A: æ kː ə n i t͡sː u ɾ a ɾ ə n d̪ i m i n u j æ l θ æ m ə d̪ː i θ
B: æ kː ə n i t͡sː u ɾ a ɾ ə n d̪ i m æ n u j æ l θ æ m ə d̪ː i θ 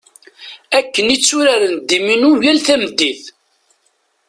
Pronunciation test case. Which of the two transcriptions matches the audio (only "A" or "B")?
A